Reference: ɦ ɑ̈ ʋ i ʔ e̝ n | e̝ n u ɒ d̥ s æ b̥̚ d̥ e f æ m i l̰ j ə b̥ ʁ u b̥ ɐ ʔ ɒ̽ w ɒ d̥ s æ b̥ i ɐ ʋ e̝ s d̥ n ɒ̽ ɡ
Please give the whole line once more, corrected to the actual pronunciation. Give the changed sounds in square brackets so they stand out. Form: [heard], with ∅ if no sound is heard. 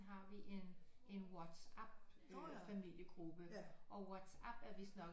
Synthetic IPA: ɦ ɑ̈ ʋ i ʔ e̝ n | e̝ n [w] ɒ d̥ s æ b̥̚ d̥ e f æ m i l̰ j ə [ɡ̥] ʁ u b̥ [ə] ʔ ɒ̽ w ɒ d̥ s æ b̥ [æ] ɐ ʋ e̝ s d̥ n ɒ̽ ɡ